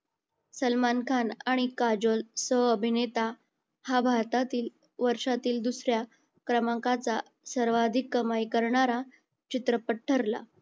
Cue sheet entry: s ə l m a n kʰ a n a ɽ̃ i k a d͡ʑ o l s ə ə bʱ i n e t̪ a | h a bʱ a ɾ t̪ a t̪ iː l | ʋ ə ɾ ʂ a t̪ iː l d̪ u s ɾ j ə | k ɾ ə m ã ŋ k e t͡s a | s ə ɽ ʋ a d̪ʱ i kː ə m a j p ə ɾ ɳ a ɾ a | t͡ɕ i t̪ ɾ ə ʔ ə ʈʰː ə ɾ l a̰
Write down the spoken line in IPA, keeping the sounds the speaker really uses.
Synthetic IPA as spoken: s ə l m a n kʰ a n a ɽ̃ i k a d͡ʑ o l s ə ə bʱ i n e t̪ a | h a bʱ a ɾ t̪ a t̪ iː l | ʋ ə ɾ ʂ a t̪ iː l d̪ u s ɾ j a | k ɾ ə m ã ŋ k a t͡s a | s ə ɾ ʋ a d̪ʱ i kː ə m a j k ə ɾ ɳ a ɾ a | t͡ɕ i t̪ ɾ ə p ə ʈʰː ə ɾ l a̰